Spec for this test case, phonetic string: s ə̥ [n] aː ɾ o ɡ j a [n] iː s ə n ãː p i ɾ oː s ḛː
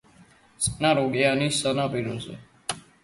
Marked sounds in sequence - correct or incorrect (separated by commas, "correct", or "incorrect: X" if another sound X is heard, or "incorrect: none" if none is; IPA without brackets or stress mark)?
correct, correct